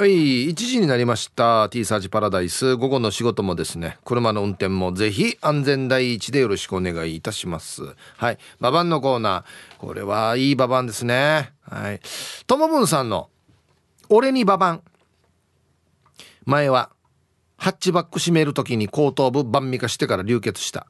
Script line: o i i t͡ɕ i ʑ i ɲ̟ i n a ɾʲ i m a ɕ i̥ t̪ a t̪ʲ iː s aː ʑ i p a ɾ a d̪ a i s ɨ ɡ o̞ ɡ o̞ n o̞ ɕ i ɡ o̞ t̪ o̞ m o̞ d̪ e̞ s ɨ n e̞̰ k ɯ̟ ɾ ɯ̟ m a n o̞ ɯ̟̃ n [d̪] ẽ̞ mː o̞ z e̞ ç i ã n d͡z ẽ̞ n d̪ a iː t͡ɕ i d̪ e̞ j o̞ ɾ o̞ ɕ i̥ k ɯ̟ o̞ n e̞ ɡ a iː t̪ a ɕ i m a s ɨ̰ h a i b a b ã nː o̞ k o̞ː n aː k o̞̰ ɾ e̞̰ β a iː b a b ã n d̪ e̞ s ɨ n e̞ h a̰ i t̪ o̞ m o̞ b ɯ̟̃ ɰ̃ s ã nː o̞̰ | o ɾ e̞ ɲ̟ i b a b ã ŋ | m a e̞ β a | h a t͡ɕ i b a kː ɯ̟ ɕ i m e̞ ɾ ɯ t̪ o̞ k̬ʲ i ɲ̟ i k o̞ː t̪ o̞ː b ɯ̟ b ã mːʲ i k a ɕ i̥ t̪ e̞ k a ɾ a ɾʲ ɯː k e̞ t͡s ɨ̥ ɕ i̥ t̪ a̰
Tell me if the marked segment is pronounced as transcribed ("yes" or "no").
no